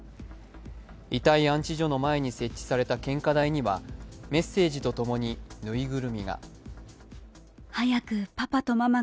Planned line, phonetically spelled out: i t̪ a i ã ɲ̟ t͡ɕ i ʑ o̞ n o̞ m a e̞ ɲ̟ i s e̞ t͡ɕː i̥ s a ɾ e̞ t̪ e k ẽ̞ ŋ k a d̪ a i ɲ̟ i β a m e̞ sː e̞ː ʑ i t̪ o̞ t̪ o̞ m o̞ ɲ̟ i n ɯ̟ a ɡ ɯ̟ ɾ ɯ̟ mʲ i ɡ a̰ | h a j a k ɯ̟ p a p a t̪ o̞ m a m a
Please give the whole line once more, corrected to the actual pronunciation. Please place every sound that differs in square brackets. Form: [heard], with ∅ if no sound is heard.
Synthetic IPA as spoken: i t̪ a i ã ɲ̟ t͡ɕ i ʑ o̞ n o̞ m a e̞ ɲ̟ i s e̞ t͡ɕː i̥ s a ɾ e̞ t̪ [a] k ẽ̞ ŋ k a d̪ a i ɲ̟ i β a m e̞ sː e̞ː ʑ i t̪ o̞ t̪ o̞ m o̞ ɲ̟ i n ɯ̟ [i] ɡ ɯ̟ ɾ ɯ̟ mʲ i ɡ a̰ | h a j a k ɯ̟ p a p a t̪ o̞ m a m a